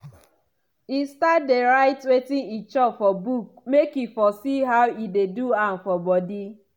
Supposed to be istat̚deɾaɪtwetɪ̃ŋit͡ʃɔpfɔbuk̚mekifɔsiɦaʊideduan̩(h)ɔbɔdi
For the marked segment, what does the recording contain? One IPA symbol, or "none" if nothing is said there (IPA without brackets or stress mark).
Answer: f